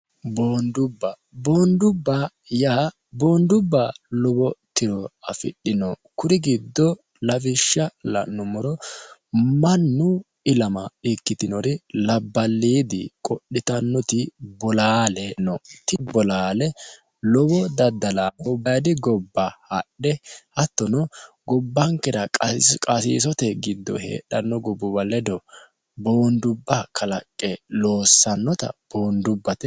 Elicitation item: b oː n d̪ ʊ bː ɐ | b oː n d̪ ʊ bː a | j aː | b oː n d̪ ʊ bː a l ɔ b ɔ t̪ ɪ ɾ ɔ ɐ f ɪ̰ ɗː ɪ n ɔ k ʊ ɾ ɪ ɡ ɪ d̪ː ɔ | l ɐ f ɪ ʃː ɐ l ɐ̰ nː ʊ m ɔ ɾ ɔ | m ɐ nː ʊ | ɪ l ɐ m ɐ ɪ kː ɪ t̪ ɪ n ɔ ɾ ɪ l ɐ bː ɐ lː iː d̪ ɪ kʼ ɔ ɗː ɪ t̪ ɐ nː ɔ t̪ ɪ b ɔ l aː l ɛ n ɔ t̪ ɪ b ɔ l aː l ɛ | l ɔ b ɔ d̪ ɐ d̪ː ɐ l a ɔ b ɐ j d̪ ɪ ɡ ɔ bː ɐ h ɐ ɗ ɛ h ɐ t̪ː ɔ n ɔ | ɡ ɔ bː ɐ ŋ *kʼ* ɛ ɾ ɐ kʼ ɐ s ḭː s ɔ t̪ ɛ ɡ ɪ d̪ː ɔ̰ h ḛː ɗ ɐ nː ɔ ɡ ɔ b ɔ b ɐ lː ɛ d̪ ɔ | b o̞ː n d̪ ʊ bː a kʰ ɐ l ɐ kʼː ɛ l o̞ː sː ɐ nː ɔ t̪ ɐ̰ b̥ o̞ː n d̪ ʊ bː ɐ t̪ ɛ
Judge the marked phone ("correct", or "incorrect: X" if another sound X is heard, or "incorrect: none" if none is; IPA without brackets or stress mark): incorrect: k